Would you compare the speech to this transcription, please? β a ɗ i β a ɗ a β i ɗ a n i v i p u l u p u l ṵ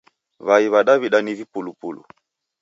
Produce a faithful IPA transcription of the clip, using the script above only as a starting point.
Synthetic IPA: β a i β a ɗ a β i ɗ a n i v i p u l u p u l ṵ